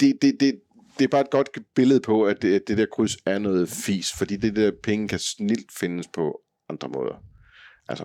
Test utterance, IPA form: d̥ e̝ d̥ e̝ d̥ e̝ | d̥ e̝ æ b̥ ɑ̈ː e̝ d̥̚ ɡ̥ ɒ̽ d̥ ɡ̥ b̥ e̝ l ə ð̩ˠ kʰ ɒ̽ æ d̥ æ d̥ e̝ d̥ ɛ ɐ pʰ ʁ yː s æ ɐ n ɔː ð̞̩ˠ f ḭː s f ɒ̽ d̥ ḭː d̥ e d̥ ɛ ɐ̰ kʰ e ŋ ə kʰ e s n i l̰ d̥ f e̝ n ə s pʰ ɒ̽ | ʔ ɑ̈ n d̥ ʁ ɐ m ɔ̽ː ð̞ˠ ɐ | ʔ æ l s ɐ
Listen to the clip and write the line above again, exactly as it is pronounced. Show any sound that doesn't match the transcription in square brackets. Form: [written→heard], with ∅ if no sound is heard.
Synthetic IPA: d̥ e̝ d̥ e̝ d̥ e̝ | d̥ e̝ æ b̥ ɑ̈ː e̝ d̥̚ ɡ̥ ɒ̽ d̥ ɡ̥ b̥ e̝ l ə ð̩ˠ [kʰ→pʰ] ɒ̽ æ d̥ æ d̥ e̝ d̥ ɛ ɐ [pʰ→kʰ] ʁ [yː→y] s æ ɐ n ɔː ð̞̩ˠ f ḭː s f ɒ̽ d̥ ḭː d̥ e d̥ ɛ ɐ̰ [kʰ→pʰ] e ŋ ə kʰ [e→æ] s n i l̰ d̥ f e̝ n ə s pʰ ɒ̽ | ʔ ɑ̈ n d̥ ʁ ɐ m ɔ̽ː ð̞ˠ ɐ | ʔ æ l s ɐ